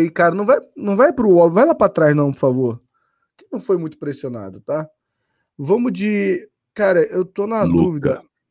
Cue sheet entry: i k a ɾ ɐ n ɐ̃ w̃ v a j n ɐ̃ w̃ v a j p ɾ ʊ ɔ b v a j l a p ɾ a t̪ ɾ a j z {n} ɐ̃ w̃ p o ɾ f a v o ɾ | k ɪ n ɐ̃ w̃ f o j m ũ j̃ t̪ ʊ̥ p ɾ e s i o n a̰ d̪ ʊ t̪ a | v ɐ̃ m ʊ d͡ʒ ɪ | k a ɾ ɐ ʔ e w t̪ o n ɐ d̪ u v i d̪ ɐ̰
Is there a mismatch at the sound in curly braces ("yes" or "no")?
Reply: no